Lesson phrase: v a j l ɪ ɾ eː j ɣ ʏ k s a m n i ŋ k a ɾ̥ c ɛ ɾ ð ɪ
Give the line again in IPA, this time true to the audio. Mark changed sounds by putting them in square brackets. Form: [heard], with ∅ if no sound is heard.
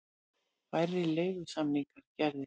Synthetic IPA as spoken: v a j [ɾ] ɪ [l] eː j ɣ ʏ [∅] s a m n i ŋ k a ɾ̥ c ɛ ɾ ð ɪ